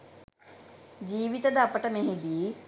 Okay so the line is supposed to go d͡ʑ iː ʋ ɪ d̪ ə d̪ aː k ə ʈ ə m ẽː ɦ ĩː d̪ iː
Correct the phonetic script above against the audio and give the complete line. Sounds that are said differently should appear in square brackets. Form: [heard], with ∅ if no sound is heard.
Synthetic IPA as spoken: d͡ʑ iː ʋ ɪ [t̪] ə d̪ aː [p] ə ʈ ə m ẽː ɦ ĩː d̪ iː